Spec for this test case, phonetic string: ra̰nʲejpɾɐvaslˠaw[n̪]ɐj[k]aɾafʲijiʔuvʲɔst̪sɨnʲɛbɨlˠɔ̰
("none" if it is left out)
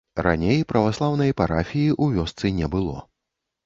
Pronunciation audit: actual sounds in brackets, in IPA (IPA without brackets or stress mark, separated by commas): n̪, p